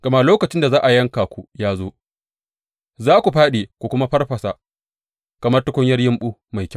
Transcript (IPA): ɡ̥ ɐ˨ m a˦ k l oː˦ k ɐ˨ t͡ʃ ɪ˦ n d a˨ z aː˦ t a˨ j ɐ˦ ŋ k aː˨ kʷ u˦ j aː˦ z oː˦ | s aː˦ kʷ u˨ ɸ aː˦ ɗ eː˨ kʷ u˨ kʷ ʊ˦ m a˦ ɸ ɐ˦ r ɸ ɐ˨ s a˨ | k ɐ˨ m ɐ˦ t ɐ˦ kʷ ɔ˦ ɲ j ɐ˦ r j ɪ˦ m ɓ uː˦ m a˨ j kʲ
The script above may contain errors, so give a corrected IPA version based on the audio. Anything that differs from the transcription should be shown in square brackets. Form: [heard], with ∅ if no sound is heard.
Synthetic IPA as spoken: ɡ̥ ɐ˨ m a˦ [∅] l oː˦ k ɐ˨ t͡ʃ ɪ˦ n d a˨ z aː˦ [ʔ] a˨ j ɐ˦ ŋ k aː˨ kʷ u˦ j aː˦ z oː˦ | [z] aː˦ kʷ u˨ ɸ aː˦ ɗ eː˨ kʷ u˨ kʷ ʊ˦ m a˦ ɸ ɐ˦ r ɸ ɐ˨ s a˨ | k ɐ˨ m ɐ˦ t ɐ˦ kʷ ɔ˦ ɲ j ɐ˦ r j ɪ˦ m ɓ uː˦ m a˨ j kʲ